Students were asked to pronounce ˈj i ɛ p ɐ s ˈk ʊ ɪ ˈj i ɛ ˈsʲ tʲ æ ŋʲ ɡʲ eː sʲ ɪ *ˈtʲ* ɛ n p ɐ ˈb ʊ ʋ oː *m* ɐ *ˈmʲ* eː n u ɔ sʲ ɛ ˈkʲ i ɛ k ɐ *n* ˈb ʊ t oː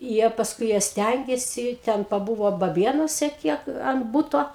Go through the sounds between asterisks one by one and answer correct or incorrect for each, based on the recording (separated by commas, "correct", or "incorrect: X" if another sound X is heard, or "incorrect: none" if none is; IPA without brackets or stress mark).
correct, incorrect: b, incorrect: bʲ, correct